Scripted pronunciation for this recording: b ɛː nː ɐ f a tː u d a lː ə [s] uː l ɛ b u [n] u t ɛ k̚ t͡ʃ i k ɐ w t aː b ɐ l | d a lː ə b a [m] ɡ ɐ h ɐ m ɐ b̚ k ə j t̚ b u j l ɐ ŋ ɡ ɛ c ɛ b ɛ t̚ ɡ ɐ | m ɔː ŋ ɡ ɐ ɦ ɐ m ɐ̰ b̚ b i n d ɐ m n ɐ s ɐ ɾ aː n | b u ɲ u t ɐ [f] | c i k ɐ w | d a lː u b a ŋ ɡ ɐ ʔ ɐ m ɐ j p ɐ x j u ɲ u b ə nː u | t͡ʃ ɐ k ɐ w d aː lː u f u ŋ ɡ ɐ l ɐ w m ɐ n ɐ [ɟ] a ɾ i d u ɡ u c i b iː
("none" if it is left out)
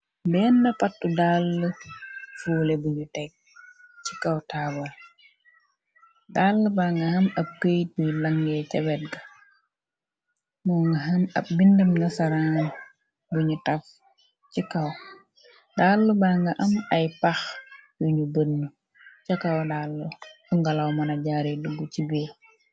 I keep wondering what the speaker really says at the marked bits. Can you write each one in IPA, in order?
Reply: f, ɲ, ŋ, f, ɟ

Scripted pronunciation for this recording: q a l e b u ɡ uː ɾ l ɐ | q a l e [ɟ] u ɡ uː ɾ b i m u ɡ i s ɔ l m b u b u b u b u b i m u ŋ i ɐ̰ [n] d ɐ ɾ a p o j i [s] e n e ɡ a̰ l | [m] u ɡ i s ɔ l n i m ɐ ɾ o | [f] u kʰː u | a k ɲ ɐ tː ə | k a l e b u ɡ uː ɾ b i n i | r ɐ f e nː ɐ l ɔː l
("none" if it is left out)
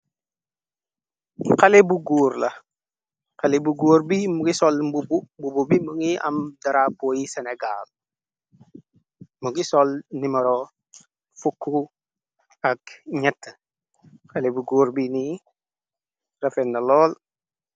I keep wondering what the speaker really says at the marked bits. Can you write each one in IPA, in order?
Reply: b, m, s, m, f

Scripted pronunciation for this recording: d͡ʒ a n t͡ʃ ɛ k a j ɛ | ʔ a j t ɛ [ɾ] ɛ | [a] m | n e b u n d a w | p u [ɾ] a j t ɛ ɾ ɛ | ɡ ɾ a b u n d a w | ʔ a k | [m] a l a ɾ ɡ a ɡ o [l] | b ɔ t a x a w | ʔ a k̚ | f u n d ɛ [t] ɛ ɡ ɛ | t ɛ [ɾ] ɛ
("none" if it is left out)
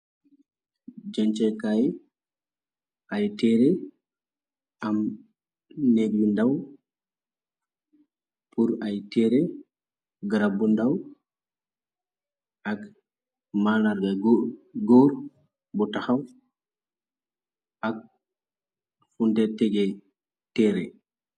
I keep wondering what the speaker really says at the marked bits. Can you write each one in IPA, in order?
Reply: ɾ, a, ɾ, m, ɾ, t, ɾ

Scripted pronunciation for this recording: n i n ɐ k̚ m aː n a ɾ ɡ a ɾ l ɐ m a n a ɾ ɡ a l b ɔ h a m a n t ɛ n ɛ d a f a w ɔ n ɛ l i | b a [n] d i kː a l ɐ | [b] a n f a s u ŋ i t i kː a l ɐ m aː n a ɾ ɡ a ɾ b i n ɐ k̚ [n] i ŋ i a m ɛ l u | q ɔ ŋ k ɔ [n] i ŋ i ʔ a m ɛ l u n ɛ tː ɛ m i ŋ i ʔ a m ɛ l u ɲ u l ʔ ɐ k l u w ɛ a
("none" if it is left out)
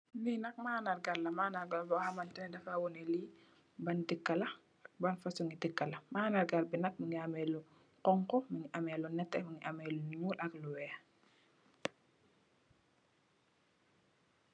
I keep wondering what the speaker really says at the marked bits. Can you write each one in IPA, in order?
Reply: n, b, m, m

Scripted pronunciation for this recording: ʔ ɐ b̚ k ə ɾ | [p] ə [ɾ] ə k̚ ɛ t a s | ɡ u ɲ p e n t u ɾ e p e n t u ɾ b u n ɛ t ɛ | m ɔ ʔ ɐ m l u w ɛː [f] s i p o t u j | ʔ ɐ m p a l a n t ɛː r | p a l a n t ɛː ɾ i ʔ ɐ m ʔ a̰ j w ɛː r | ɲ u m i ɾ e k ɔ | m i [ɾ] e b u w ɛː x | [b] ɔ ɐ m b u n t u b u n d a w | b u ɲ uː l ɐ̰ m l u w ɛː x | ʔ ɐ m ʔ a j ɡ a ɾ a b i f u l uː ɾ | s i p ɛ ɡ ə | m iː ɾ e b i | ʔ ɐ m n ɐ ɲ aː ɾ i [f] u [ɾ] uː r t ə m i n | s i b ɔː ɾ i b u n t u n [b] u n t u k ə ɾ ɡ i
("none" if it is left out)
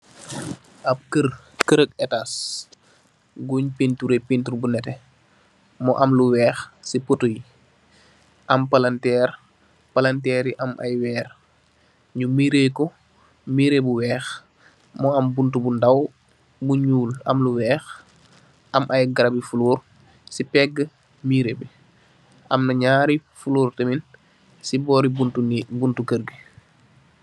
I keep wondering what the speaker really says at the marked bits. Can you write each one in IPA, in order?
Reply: k, ɾ, x, ɾ, m, f, l, b

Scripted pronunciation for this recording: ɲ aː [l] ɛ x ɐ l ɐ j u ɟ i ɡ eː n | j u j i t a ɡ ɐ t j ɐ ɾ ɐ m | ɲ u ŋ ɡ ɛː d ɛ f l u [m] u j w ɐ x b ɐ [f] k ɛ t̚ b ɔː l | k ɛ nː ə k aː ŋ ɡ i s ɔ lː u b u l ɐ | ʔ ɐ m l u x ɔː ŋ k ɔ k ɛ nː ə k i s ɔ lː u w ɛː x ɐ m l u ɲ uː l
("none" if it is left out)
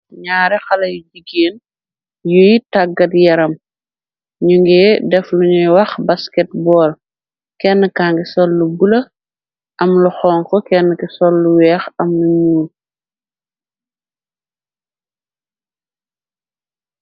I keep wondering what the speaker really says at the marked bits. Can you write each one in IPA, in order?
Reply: ɾ, ɲ, s

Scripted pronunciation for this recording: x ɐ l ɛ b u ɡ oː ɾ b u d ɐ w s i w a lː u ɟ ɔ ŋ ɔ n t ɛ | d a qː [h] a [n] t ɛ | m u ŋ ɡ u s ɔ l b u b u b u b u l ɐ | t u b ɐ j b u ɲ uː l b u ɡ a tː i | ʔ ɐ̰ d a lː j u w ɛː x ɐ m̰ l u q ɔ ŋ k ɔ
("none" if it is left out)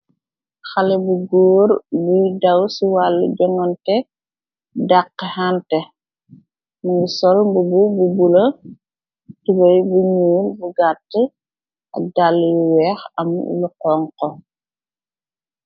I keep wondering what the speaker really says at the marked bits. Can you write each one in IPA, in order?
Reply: h, n

